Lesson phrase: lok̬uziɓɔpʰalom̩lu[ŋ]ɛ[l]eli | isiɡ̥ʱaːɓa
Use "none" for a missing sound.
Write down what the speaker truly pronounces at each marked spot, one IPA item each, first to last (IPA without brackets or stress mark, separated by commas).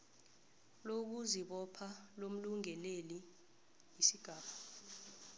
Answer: ŋ, l